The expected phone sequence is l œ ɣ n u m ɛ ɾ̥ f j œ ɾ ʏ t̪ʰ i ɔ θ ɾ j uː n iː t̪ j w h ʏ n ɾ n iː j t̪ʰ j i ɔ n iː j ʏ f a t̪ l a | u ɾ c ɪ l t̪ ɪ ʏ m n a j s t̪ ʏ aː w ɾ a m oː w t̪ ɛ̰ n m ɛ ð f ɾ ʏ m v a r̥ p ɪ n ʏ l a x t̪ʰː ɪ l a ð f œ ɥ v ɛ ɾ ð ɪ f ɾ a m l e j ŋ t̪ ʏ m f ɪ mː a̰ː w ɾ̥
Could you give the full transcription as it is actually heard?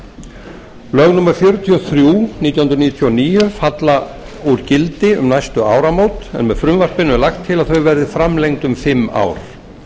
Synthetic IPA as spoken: l œ ɣ n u m ɛ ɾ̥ f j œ ɾ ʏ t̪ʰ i ɔ θ ɾ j uː n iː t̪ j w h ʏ n ɾ n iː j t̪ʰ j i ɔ n iː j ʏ f a t̪ l a | u ɾ c ɪ l t̪ ɪ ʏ m n a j s t̪ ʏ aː w ɾ a m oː w t̪ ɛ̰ n m ɛ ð f ɾ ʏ m v a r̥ p ɪ n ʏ l a x t̪ʰː ɪ l a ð θ œ ɥ v ɛ ɾ ð ɪ f ɾ a m l e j ŋ t̪ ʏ m f ɪ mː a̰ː w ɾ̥